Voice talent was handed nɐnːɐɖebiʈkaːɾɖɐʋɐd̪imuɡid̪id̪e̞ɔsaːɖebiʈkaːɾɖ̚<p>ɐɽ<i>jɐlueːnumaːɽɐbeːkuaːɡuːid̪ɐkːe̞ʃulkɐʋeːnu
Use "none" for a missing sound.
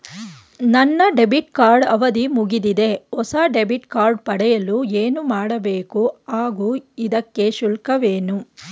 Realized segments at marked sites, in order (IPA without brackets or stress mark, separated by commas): p, ɛ